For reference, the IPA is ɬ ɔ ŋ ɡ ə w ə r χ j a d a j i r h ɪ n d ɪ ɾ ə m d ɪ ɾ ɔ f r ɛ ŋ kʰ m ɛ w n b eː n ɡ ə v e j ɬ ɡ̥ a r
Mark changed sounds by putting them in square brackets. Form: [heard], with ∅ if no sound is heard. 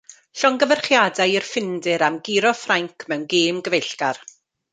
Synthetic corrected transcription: ɬ ɔ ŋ ɡ ə [v] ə r χ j a d a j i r [f] ɪ n d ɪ ɾ [a] m [ɡ] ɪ ɾ ɔ f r [a] ŋ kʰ m ɛ w n [ɡ] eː [m] ɡ ə v e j ɬ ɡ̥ a r

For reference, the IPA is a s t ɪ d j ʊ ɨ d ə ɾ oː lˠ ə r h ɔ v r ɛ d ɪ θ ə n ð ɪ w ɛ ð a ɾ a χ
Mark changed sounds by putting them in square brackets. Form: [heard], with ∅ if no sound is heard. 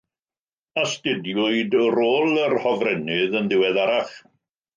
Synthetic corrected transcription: a s t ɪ d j ʊ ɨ d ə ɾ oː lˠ ə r h ɔ v r ɛ [n] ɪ [ð] ə n ð ɪ w ɛ ð a ɾ a χ

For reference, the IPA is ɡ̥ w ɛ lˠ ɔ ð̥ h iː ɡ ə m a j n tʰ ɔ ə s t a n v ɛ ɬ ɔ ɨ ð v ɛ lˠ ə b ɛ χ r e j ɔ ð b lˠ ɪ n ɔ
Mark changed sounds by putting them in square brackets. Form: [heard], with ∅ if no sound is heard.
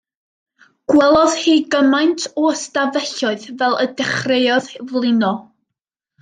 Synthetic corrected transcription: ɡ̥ w ɛ lˠ ɔ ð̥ h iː ɡ ə m a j n tʰ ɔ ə s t a [∅] v ɛ ɬ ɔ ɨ ð v ɛ lˠ ə [d] ɛ χ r e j ɔ ð [v] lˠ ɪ n ɔ

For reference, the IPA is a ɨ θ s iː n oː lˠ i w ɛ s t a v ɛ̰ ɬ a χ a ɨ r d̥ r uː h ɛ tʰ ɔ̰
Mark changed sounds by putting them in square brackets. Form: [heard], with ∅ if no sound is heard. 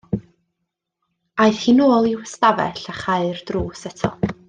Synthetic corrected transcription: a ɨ θ [h] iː n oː lˠ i w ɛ s t a v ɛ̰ ɬ a χ a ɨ r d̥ r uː [s] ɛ tʰ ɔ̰

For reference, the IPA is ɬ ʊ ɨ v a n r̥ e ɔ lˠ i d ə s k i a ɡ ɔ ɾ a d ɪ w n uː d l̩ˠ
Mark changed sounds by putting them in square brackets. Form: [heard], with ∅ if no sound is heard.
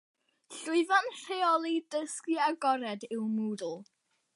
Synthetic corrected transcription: ɬ ʊ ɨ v a n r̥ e ɔ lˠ i d ə s k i a ɡ ɔ ɾ [ɛ] d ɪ w [m] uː d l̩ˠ

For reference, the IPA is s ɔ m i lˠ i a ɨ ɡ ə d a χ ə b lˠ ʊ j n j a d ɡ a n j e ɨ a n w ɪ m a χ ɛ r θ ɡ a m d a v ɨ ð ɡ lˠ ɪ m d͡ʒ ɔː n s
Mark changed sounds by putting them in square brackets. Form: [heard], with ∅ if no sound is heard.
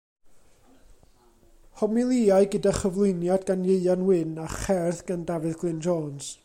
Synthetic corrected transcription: [h] ɔ m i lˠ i a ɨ ɡ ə d a χ ə [v] lˠ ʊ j n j a d ɡ a n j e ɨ a n w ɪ [n] a χ ɛ r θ ɡ a [n] d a v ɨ ð ɡ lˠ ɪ [n] d͡ʒ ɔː n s

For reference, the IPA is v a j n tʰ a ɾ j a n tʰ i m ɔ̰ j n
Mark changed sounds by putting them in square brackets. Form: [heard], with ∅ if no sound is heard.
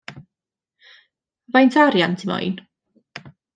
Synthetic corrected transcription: v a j n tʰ a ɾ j a n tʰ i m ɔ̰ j n

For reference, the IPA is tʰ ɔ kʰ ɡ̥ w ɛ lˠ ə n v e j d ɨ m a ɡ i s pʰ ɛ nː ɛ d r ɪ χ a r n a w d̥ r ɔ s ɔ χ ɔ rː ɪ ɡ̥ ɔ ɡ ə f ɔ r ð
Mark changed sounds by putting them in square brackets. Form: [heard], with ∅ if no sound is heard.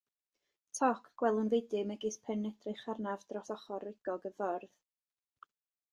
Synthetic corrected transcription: tʰ ɔ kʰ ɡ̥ w ɛ lˠ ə n v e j d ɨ m [ɛ] ɡ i s pʰ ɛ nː ɛ d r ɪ χ a r n a [v] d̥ r ɔ s ɔ χ ɔ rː ɪ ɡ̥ ɔ ɡ ə [v] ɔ r ð

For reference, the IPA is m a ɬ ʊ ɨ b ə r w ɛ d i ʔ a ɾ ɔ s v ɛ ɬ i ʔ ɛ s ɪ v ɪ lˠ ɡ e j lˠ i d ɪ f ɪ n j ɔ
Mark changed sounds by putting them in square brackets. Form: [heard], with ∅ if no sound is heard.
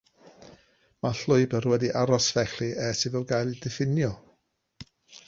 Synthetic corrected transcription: m a ɬ ʊ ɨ b ə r w ɛ d i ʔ a ɾ ɔ s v ɛ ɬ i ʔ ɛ s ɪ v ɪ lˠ ɡ [a] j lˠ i d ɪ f ɪ n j ɔ

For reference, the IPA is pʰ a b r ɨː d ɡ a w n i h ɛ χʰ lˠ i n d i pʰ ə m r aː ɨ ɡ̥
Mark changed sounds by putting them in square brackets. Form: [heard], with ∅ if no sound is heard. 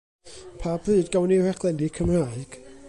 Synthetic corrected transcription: pʰ a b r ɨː d ɡ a w n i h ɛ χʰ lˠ [ɛ] n d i [kʰ] ə m r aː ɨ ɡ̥

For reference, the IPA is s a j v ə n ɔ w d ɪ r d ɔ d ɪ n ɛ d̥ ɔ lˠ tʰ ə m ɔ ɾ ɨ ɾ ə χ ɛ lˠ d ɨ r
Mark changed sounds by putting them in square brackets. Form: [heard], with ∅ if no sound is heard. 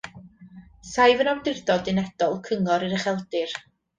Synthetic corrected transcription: s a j v ə n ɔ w d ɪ r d ɔ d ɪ n ɛ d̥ ɔ lˠ [kʰ] ə [ŋ] ɔ ɾ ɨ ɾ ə χ ɛ lˠ d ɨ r

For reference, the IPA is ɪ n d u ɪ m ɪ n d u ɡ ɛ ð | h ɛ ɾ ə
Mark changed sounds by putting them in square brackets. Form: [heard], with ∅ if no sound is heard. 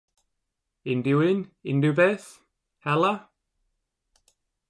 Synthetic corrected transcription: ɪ n d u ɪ [n] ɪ n d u [b] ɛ [θ] | h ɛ [l] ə

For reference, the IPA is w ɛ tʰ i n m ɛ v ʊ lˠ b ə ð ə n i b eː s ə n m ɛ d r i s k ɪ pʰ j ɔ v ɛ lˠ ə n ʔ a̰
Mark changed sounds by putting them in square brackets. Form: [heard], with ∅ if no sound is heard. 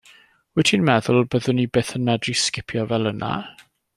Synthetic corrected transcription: w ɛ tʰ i n m ɛ [ð] ʊ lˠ b ə ð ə n i b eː [θ] ə n m ɛ d r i s k ɪ pʰ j ɔ v ɛ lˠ ə n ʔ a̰

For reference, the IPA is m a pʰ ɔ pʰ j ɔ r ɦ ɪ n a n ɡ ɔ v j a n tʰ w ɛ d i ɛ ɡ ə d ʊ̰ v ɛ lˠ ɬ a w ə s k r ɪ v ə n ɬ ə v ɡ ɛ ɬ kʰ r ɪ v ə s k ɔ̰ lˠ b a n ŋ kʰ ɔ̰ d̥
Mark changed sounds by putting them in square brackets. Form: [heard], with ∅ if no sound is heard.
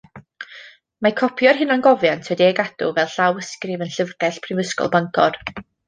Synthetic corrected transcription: m a [kʰ] ɔ pʰ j ɔ r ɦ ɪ n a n ɡ ɔ v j a n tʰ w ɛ d i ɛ ɡ [a] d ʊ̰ v ɛ lˠ ɬ a w ə s k r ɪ v ə n ɬ ə v ɡ ɛ ɬ [pʰ] r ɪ v ə s k ɔ̰ lˠ b a [∅] ŋ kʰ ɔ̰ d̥

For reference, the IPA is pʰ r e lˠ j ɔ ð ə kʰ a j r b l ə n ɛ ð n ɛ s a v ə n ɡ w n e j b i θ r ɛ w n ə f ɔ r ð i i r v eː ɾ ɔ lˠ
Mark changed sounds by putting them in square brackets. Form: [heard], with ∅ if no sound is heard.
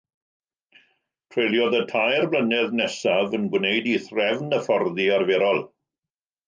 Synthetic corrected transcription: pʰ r e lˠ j ɔ ð ə [tʰ] a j r b l ə n ɛ ð n ɛ s a v ə n ɡ w n e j [d] i θ r ɛ [v] n ə f ɔ r ð i [a] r v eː ɾ ɔ lˠ

